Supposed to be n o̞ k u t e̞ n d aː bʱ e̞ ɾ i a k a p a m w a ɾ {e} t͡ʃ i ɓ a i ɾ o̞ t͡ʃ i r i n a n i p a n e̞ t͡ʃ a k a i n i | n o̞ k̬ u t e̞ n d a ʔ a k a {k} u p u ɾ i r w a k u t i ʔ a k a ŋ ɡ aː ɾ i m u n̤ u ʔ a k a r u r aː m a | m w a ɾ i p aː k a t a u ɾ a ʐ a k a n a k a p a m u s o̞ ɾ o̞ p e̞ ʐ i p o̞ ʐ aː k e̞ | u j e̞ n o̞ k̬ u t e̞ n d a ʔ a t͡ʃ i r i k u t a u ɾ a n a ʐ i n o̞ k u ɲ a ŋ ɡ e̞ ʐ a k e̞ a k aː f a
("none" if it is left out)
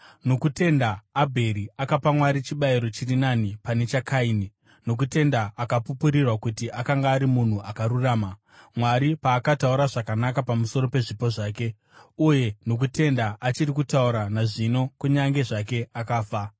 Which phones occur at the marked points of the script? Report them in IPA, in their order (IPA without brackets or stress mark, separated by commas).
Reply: i, p